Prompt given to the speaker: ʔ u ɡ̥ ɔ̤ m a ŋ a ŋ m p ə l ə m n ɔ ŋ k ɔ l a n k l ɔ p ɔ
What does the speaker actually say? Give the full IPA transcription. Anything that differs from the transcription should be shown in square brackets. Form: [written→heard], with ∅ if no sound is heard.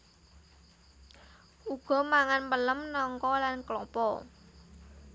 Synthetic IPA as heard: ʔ u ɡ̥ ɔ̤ m a ŋ a [ŋ→n] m p ə l ə m n ɔ ŋ k ɔ l a n k l ɔ p ɔ